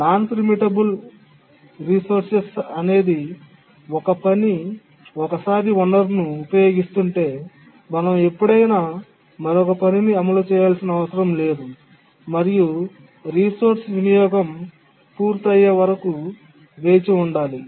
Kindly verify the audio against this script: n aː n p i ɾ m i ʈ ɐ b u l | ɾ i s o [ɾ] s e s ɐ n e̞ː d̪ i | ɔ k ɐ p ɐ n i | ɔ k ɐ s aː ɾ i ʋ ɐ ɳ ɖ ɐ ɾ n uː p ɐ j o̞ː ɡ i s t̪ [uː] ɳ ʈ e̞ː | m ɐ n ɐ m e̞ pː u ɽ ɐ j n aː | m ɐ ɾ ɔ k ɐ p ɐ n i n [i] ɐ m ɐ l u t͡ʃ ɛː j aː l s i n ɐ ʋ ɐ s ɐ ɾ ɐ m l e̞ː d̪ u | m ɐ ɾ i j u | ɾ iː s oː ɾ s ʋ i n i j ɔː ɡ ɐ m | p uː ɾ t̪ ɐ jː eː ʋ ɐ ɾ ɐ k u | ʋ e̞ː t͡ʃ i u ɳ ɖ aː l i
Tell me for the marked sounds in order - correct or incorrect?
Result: correct, incorrect: u, correct

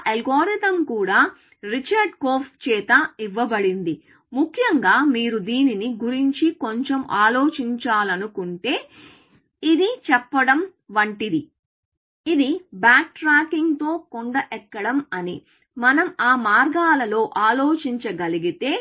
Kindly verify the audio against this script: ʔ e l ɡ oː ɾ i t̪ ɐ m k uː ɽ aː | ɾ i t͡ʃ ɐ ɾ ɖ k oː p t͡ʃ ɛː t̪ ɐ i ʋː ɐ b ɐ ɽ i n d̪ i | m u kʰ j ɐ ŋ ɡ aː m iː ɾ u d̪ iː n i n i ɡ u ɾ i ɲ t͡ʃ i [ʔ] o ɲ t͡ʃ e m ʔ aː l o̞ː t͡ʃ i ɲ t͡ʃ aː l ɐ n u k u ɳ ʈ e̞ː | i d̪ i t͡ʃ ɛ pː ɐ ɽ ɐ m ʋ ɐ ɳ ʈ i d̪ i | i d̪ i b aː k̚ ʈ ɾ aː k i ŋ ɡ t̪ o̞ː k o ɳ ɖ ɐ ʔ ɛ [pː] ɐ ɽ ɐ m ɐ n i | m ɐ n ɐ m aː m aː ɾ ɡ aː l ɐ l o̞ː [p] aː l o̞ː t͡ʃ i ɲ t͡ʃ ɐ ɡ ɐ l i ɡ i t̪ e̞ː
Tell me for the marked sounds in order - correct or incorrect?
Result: incorrect: k, incorrect: kː, incorrect: ʔ

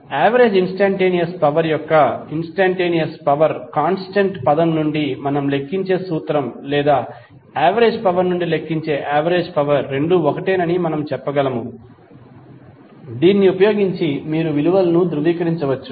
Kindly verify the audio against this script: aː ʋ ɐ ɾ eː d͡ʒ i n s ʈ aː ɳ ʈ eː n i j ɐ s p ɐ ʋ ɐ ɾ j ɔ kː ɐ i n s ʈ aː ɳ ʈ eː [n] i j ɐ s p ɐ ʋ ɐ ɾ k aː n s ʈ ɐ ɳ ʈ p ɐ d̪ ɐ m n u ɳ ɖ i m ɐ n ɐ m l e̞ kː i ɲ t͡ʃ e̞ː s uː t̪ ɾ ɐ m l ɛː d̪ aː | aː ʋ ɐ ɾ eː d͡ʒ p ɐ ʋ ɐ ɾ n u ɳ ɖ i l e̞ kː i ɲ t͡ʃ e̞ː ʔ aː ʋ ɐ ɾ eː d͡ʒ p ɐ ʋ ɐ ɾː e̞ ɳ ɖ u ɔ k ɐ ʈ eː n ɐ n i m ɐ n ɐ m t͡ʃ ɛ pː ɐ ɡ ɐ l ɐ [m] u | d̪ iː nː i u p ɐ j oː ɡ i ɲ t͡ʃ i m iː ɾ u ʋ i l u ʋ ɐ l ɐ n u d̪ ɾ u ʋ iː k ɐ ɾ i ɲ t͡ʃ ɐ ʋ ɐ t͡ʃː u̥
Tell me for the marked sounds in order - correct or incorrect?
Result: correct, correct

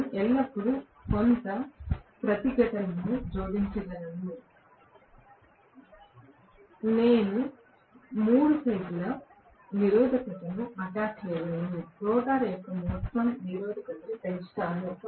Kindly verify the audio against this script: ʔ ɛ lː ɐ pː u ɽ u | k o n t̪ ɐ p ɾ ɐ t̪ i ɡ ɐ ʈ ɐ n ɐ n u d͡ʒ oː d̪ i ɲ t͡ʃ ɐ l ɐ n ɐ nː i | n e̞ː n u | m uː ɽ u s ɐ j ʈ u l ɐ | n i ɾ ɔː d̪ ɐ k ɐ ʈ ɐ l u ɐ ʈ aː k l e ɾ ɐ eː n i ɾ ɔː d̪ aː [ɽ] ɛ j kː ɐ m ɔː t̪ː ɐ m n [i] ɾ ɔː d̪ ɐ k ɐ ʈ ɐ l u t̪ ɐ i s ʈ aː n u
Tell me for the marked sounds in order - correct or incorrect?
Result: incorrect: ɾ, correct

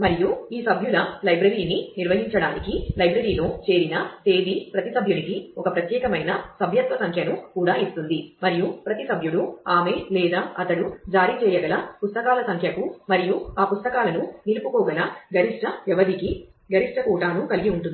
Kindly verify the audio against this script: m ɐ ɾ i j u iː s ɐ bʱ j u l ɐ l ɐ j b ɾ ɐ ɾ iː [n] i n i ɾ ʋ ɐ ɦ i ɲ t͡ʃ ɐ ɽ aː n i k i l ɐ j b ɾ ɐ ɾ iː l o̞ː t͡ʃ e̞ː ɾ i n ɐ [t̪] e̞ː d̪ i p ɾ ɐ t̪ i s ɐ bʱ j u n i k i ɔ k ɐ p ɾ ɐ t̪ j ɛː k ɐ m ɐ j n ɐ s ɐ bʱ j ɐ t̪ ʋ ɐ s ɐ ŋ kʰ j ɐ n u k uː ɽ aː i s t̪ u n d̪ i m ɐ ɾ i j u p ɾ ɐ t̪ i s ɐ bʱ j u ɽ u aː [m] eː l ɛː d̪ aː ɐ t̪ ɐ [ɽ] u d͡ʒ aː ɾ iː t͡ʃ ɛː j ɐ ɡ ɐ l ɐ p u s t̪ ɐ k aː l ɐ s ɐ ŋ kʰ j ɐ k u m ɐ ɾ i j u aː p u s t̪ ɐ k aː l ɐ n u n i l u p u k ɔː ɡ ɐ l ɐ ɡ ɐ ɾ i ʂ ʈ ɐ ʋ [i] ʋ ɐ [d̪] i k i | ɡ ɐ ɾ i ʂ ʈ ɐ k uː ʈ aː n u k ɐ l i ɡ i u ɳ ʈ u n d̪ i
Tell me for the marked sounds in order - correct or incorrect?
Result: correct, correct, correct, correct, incorrect: ɛ, correct

